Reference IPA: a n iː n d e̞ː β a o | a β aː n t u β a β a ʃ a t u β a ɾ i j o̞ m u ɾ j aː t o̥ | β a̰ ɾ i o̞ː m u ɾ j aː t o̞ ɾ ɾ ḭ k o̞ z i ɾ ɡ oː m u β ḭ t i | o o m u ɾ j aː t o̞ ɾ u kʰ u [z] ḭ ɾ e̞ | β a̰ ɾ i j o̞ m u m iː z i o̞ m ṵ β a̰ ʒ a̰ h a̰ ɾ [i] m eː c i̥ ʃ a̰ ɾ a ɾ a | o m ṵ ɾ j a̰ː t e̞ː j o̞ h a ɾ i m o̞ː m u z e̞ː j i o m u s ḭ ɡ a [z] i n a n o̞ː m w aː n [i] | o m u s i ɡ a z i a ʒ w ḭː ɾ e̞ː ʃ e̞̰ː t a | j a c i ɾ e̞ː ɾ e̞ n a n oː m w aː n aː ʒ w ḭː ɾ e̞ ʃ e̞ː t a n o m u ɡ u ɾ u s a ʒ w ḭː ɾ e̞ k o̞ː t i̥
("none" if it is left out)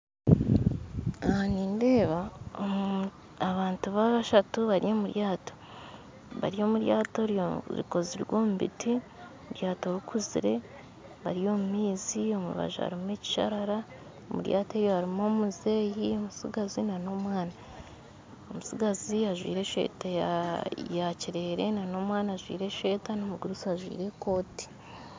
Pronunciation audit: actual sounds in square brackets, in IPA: z, i, z, a

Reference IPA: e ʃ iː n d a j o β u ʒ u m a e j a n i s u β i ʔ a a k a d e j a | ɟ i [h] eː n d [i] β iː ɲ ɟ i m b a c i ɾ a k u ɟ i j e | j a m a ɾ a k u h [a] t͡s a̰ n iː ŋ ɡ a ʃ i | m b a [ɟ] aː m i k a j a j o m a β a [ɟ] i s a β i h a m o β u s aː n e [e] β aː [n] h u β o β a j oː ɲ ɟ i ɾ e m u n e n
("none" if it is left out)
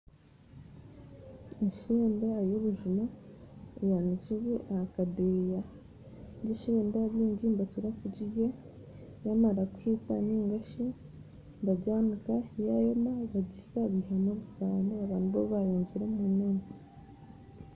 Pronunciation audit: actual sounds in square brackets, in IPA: ʃ, a, i, ɟ, ɟ, a, n

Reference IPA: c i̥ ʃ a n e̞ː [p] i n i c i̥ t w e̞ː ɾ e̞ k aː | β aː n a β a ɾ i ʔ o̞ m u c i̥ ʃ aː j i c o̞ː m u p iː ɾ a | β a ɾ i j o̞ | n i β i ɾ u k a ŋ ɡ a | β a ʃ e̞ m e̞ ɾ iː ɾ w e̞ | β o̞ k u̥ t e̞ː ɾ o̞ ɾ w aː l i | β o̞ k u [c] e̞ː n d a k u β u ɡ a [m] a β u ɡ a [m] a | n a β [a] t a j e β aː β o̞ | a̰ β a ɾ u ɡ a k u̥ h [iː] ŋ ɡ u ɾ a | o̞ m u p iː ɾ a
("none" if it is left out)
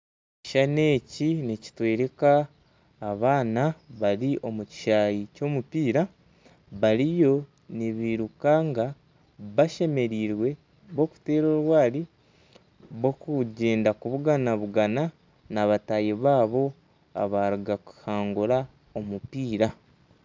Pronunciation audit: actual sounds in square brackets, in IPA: c, ɟ, n, n, a, aː

